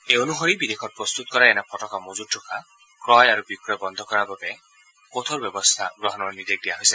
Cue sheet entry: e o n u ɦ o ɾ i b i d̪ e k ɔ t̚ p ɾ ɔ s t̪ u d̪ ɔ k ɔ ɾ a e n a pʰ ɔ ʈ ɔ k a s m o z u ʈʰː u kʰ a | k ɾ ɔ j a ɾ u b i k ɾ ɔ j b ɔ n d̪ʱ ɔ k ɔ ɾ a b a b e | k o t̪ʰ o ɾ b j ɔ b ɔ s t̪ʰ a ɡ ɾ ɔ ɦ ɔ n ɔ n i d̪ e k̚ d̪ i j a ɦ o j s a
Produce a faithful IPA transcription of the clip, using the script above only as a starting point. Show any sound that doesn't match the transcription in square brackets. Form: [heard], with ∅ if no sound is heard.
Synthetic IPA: e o n u ɦ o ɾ i b i d̪ e [kʰ] ɔ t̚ p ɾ ɔ s t̪ u [t̪] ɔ k ɔ ɾ a e n a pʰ ɔ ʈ ɔ k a [∅] m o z u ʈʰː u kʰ a | k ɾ ɔ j a ɾ u b i k ɾ ɔ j b ɔ n d̪ʱ ɔ k ɔ ɾ a b a b e | k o t̪ʰ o ɾ b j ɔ b ɔ s t̪ʰ a ɡ ɾ ɔ ɦ ɔ n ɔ n i d̪ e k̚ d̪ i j a ɦ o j s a